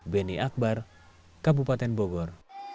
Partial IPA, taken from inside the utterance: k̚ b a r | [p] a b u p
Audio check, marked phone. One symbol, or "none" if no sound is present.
k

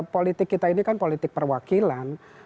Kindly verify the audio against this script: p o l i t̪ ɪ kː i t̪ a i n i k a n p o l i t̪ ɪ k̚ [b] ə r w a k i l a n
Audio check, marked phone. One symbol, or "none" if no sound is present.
p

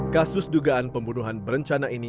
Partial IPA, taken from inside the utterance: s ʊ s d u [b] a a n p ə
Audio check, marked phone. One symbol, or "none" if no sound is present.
ɡ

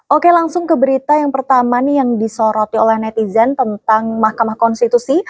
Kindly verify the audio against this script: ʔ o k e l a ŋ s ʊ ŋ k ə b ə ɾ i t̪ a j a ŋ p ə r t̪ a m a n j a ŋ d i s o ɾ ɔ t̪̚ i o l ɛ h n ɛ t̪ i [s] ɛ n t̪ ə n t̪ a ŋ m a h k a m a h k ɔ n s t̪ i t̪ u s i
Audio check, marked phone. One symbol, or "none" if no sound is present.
z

